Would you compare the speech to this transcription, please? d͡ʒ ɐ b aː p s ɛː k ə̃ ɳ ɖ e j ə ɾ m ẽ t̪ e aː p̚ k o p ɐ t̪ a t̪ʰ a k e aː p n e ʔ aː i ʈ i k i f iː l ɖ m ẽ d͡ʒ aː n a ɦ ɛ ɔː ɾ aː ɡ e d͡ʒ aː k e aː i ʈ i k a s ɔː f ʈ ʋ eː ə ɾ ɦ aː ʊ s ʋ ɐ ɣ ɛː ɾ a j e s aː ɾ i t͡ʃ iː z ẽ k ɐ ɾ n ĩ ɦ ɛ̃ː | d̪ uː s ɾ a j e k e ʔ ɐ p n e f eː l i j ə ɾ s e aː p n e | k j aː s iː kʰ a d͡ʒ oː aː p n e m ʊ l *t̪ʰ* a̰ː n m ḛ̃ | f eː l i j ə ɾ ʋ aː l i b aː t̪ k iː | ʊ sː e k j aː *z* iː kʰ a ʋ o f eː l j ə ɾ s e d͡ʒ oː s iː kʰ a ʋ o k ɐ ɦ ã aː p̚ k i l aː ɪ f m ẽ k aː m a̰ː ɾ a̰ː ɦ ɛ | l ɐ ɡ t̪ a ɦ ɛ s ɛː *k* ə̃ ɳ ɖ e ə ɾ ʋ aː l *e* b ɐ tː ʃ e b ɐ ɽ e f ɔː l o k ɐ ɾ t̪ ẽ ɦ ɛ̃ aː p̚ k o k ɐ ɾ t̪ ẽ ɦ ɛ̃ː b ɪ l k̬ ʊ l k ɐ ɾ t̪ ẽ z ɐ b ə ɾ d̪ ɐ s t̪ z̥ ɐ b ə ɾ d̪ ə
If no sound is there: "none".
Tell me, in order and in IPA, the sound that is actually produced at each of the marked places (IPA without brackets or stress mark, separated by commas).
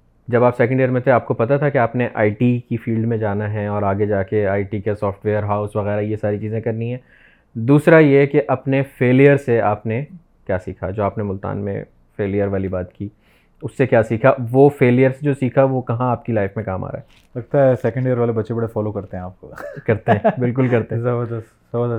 t̪, s, k, e